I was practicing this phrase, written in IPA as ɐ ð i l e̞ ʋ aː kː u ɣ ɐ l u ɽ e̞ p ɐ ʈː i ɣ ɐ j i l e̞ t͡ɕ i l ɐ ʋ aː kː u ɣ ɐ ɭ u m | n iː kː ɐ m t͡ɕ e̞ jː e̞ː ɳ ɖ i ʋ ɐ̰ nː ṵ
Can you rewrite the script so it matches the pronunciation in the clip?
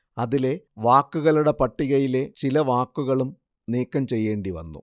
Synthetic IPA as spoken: ɐ ð i l e̞ ʋ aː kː u ɣ ɐ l u ɽ e̞ p ɐ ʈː i ɣ ɐ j i l e̞ t͡ɕ i l ɐ ʋ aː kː u ɣ ɐ ɭ u m | n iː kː ɐ m t͡ɕ e̞ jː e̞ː ɳ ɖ i ʋ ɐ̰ nː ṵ